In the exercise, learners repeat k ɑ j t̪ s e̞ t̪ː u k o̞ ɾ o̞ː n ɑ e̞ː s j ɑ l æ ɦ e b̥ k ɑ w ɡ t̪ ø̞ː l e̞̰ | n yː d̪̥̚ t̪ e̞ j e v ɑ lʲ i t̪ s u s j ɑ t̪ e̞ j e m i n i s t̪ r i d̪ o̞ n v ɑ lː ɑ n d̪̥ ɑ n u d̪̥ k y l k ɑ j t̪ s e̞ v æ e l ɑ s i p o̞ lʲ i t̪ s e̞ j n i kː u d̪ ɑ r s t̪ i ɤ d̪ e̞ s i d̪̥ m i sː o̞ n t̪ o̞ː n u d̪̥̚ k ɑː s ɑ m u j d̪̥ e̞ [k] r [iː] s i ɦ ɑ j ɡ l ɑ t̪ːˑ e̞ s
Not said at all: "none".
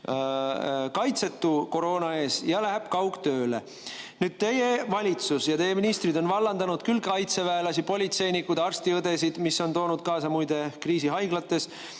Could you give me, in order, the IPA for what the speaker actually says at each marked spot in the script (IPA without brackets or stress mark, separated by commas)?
k, iː